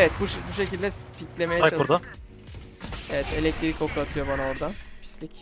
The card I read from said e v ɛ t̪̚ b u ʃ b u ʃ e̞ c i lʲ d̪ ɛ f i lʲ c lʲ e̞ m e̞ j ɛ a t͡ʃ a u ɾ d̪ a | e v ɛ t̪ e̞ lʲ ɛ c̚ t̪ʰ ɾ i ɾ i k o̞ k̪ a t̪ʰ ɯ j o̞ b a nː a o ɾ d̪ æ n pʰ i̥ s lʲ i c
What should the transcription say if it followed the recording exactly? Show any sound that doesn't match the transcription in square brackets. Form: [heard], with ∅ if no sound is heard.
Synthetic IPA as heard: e v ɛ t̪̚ b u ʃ b u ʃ e̞ c i lʲ d̪ ɛ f i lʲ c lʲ e̞ m e̞ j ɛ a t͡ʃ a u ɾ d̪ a | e v ɛ t̪ e̞ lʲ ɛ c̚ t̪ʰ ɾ i ɾ i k o̞ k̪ a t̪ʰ ɯ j o̞ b a [n] a o ɾ d̪ [a] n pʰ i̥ s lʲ i c